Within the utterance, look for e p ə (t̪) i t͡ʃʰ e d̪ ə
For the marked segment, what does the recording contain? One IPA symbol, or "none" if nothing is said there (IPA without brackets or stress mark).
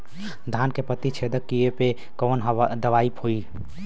t̪